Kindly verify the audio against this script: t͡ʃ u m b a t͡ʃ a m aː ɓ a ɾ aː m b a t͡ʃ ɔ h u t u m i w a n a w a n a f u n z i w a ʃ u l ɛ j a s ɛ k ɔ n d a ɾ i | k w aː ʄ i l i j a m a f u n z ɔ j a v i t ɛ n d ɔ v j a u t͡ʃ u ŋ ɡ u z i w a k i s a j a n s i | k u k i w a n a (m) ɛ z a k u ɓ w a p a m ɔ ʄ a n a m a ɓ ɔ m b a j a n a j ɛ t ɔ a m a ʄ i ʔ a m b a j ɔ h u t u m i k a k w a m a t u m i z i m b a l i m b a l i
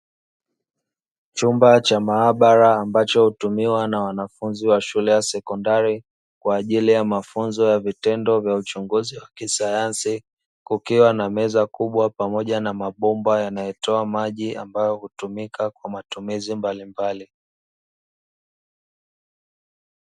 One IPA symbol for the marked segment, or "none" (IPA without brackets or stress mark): m